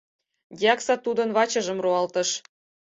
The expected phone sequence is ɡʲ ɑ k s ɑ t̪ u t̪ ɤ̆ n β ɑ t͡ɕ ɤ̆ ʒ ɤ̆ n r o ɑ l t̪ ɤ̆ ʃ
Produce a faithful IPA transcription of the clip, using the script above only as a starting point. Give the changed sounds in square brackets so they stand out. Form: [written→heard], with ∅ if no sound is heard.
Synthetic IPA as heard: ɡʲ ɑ k s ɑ t̪ u [t̪→d̪] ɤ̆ n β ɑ t͡ɕ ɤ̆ ʒ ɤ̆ [n→m] r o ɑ l t̪ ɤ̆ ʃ